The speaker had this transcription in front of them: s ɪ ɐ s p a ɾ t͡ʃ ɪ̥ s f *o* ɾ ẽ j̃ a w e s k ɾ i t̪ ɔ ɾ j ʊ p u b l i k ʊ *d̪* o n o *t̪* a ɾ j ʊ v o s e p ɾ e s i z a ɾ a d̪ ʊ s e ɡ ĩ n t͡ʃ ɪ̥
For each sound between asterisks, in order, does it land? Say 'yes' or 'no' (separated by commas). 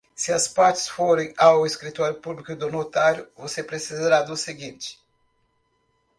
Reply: yes, yes, yes